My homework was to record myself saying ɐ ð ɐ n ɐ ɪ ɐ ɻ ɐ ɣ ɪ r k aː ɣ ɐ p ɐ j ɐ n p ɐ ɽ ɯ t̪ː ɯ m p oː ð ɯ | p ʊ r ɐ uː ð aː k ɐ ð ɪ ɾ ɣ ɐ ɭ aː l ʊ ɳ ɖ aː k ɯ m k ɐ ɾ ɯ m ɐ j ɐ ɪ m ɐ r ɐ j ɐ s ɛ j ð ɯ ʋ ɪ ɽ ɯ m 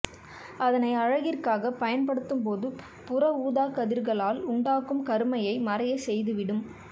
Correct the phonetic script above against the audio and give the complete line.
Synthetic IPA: ɐ ð ɐ n ɐ ɪ ɐ ɻ ɐ ɣ ɪ r k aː ɣ ɐ p ɐ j ɐ n p ɐ ɽ ɯ t̪ː ɯ m p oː ð ɯ | p ʊ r ɐ uː ð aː k ɐ ð ɪ ɾ ɣ ɐ ɭ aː l ʊ ɳ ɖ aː k ɯ m k ɐ ɾ ɯ m ɐ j ɐ ɪ m ɐ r ɐ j ɐ s ɛ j ð ɯ ʋ ɪ ɽ ɯ m